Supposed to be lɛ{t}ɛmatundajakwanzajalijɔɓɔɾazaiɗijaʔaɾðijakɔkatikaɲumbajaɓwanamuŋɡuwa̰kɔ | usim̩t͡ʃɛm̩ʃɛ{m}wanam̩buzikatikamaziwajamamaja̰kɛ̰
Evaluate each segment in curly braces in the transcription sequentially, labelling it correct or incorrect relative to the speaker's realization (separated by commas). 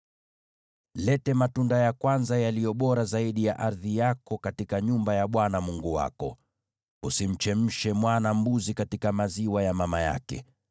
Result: correct, correct